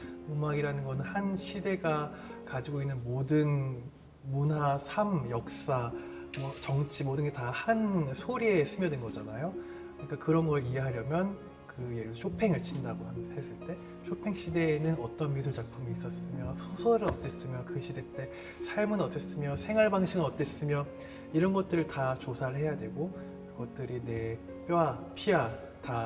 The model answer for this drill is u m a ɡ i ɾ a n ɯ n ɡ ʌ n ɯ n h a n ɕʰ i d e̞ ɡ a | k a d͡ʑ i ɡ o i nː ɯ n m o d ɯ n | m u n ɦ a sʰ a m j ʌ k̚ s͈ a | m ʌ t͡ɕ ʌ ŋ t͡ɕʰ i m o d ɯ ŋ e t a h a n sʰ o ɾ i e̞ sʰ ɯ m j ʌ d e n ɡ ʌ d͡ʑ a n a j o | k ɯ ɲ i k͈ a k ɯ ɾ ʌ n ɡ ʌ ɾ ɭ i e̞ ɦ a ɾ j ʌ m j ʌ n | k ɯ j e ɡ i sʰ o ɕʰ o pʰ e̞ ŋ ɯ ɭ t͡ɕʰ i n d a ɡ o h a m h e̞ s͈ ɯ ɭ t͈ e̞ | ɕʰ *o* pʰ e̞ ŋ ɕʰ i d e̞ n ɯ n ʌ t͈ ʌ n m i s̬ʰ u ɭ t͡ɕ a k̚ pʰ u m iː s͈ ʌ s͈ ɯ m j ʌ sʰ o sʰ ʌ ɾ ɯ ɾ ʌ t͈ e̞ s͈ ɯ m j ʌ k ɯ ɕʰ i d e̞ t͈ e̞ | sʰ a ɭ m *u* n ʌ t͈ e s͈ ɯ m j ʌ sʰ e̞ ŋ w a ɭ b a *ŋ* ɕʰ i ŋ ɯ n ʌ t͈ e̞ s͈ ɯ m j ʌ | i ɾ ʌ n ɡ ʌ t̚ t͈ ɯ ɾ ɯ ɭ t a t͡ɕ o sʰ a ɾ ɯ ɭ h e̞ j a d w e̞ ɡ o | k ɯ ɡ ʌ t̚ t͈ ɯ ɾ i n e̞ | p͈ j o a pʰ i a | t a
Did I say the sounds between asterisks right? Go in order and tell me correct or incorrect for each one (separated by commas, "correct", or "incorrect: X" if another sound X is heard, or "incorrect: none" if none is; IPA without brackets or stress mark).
correct, incorrect: ɯ, correct